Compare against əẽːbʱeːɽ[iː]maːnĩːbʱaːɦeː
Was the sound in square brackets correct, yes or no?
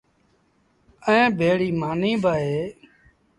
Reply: yes